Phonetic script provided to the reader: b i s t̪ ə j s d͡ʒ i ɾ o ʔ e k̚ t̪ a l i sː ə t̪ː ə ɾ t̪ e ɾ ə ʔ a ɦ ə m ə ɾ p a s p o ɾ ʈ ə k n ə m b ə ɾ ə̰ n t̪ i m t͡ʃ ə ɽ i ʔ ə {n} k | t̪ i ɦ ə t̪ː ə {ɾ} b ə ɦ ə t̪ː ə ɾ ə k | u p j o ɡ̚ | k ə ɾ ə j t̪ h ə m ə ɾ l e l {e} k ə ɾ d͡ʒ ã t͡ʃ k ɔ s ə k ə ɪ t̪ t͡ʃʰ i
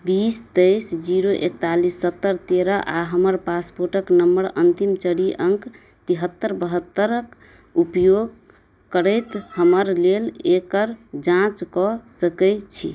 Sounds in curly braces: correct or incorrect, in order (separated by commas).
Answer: incorrect, correct, correct